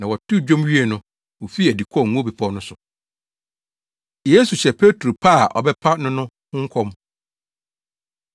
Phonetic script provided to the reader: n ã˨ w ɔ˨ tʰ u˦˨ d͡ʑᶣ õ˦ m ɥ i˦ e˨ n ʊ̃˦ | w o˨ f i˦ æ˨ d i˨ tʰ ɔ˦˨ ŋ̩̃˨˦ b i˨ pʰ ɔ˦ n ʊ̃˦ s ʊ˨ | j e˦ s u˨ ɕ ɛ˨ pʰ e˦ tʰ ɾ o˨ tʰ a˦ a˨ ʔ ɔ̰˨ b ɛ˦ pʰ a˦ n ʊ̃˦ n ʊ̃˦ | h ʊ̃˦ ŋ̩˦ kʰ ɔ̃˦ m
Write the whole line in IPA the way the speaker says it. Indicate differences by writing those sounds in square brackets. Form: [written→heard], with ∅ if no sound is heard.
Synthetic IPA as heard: n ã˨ w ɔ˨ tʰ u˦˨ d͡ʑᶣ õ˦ m ɥ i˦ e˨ n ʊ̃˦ | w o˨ f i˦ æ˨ d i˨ [tʰ→kʰ] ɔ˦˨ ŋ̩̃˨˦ b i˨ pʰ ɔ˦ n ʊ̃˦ s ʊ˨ | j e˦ s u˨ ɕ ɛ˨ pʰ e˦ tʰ ɾ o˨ [tʰ→pʰ] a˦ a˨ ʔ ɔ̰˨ b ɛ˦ pʰ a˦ n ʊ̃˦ n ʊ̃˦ | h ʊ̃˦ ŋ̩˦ kʰ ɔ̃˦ m